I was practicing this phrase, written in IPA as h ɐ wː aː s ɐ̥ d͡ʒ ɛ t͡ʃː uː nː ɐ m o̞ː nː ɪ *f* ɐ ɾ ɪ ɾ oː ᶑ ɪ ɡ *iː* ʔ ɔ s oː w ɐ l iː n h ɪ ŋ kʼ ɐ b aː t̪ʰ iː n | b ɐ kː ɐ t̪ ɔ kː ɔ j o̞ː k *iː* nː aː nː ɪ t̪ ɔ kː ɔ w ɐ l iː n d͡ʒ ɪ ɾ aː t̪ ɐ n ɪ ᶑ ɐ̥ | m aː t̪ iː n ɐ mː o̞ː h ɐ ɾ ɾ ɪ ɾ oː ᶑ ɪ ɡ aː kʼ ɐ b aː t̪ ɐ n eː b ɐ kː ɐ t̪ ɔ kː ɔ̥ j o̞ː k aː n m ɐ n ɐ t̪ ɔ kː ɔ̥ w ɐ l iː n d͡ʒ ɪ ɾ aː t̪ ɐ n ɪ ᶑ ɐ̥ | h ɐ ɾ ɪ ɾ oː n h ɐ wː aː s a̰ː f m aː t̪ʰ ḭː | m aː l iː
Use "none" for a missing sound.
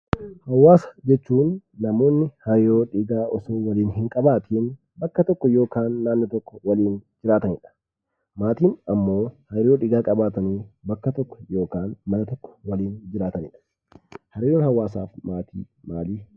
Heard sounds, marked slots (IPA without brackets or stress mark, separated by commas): h, aː, aː